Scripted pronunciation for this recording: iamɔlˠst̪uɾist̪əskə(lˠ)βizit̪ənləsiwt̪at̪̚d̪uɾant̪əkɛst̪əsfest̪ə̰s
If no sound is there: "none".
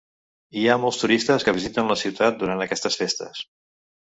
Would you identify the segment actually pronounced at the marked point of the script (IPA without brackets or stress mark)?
none